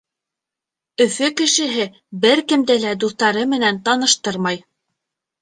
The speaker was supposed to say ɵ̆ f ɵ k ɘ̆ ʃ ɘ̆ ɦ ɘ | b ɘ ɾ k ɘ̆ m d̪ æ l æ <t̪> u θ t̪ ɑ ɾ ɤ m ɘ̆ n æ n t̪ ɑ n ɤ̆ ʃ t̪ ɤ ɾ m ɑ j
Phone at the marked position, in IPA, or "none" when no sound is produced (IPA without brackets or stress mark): d̪